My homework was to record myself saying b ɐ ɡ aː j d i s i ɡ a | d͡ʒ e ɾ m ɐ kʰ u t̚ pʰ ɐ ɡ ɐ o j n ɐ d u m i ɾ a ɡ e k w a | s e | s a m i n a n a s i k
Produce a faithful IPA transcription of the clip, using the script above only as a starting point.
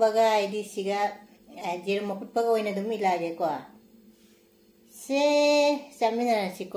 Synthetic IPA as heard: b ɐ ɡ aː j d i s i ɡ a | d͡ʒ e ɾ m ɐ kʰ u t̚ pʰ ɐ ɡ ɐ o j n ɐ d u m i l a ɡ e k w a | s e | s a m i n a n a s i k